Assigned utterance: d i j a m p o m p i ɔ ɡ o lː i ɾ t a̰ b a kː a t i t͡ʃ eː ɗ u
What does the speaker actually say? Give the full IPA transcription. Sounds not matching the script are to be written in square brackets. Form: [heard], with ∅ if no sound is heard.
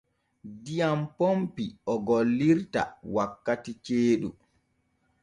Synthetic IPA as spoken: d i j a m p o m p i ɔ ɡ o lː i ɾ t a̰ [w] a kː a t i t͡ʃ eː ɗ u